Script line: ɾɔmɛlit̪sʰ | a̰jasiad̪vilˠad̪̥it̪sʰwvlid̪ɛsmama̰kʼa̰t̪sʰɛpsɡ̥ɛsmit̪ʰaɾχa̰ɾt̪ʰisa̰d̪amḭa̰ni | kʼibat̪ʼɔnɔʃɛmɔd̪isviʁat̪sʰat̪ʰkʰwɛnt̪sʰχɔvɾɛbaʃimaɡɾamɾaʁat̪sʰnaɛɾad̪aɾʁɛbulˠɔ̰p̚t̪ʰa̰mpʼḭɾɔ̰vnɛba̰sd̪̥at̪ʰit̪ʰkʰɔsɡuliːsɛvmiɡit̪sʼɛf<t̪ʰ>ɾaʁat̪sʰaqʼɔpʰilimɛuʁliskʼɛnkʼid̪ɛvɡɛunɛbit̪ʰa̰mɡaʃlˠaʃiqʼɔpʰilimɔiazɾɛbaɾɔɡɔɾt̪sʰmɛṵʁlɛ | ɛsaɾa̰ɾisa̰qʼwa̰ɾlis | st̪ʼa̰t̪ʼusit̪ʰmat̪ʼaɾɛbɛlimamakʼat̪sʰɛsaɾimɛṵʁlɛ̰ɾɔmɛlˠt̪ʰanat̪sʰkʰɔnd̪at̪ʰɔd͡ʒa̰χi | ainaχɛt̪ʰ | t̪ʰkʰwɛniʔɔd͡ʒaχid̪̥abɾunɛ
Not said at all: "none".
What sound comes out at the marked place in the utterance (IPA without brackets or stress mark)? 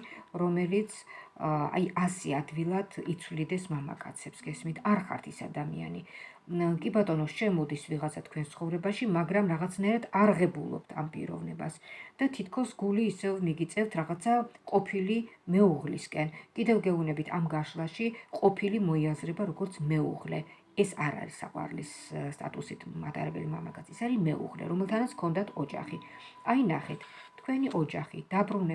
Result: t̪ʰ